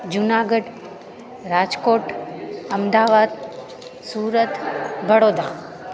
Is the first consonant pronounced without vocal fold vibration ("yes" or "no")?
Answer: no